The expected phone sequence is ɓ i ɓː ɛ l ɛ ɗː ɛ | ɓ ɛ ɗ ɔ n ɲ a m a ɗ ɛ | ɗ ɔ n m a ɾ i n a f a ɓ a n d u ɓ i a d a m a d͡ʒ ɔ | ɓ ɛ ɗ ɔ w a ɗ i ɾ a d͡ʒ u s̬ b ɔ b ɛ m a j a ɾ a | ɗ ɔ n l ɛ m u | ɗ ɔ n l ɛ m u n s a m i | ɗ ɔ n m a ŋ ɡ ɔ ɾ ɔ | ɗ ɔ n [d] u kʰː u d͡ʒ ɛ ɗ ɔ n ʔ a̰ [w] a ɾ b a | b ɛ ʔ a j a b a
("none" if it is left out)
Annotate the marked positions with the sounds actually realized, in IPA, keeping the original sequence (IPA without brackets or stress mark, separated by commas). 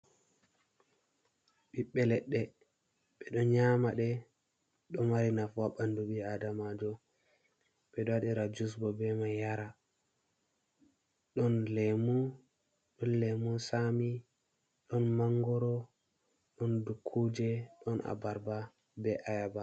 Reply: d, b